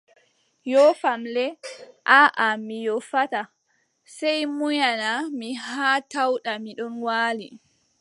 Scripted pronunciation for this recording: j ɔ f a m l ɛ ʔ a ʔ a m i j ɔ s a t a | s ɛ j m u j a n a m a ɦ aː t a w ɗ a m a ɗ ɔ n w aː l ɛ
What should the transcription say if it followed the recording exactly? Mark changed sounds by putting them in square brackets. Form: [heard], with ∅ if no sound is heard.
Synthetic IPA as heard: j ɔ f a m l ɛ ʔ a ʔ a m i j ɔ [f] a t a | s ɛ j m u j a n a m [i] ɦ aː t a w ɗ a m [i] ɗ ɔ n w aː l [i]